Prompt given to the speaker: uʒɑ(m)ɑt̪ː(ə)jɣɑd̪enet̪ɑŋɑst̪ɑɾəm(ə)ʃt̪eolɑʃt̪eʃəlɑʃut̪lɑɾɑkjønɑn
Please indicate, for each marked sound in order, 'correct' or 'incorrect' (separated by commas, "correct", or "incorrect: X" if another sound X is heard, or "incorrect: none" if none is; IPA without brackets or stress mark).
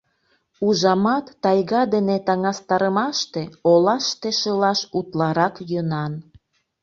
correct, incorrect: ɑ, incorrect: ɑ